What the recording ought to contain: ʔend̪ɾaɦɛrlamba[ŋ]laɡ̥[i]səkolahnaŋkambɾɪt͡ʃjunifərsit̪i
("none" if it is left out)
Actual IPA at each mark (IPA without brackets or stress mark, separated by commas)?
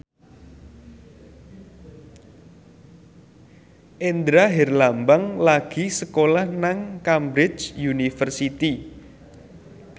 ŋ, i